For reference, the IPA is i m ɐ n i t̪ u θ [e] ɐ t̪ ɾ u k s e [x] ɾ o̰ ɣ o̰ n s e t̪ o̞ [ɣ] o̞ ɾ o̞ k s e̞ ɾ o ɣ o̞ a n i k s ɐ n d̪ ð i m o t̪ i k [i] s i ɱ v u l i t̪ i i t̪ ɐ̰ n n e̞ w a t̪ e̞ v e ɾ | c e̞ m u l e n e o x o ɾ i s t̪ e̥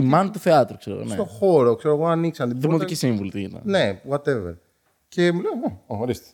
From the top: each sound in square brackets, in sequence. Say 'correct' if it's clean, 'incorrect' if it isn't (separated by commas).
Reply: correct, incorrect, incorrect, correct